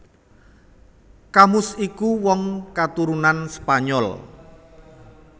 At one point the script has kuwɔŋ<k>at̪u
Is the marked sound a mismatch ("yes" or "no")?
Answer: no